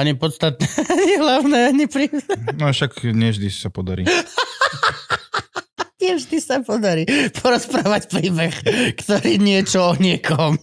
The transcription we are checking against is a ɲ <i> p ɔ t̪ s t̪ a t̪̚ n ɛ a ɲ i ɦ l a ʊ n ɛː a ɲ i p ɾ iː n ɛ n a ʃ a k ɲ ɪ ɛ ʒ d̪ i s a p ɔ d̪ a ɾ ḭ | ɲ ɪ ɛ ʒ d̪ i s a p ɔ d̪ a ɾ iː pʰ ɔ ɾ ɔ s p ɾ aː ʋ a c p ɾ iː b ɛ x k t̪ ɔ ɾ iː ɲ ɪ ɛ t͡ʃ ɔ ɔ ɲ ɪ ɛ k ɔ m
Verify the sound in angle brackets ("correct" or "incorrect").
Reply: correct